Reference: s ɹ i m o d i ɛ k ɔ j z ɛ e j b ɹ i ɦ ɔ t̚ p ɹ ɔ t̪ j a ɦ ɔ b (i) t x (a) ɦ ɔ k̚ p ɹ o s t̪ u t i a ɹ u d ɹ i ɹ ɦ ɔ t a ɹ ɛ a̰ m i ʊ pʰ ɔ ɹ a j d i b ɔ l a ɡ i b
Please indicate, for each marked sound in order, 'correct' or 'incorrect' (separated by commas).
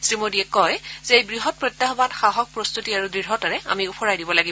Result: incorrect, correct